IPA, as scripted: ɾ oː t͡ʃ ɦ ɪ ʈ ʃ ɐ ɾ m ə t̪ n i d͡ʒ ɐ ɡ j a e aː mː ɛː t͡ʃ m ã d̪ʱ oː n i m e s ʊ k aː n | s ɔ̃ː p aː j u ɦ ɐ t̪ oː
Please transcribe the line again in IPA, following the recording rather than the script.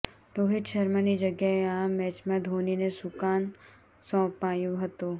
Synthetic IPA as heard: ɾ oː ɦ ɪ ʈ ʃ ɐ ɾ m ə n i d͡ʒ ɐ ɡ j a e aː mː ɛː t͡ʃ m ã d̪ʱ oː n i n e s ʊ k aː n | s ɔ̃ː p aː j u ɦ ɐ t̪ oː

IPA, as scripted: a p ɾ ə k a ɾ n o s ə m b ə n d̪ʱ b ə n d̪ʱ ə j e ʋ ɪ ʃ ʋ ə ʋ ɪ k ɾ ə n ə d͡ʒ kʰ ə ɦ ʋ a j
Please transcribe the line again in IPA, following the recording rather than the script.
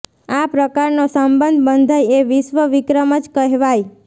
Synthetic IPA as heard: a p ɾ ə k a ɾ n o s ə m b ə n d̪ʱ b ə n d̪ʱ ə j e ʋ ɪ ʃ ʋ ə ʋ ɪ k ɾ ə m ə d͡ʒ k ə ɦ ʋ a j

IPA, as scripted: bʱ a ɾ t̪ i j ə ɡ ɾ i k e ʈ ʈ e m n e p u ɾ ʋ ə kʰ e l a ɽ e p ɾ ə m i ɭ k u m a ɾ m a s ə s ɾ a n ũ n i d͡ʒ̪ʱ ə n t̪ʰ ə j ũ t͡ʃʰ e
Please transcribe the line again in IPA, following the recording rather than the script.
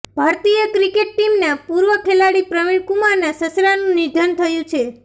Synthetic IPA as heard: bʱ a ɾ t̪ i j ə k ɾ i k e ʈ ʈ i m n a p u ɾ ʋ ə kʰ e l a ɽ i p ɾ ə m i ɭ k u m a ɾ n a s ə s ɾ a n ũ n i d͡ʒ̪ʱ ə n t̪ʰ ə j ũ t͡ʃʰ e

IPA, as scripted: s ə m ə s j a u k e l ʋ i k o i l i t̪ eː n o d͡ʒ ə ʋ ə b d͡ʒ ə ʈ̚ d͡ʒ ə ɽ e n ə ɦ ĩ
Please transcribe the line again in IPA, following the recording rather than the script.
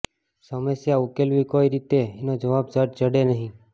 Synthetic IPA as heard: s ə m ə s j a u k e l ʋ i k o i ɾ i t̪ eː n o d͡ʒ ə ʋ a b d͡ʒ ə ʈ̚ d͡ʒ ə ɽ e n ə ɦ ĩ

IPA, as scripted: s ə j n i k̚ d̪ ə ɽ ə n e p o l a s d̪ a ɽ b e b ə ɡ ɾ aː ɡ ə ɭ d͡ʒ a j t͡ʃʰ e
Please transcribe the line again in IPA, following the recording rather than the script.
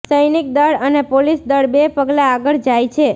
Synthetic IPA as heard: s ə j n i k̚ d̪ ə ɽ ə n e p o l i s d̪ ə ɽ b e p ə ɡ l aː ɡ ə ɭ d͡ʒ a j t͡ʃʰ e

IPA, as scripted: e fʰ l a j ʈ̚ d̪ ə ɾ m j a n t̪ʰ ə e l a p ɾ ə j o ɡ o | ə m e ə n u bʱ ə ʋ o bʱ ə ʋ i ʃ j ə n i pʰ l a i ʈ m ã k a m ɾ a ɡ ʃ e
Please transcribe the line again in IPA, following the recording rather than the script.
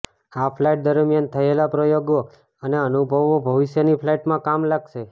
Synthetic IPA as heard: a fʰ l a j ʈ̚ d̪ ə ɾ m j a n t̪ʰ ə e l a p ɾ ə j o ɡ o | ə n e ə n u bʱ ə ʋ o bʱ ə ʋ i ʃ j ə n i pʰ l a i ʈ m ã k a m l a ɡ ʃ e

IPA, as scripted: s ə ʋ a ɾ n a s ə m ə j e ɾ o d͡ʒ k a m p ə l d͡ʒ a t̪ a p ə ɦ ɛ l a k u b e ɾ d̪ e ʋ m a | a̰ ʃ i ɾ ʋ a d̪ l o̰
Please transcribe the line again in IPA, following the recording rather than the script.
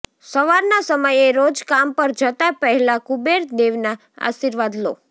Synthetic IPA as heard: s ə ʋ a ɾ n a s ə m ə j e ɾ o d͡ʒ k a m p ə ɾ d͡ʒ ə t̪ a p ə ɦ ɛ l a k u b e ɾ d̪ e ʋ n a | a̰ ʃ i ɾ ʋ a d̪ l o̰

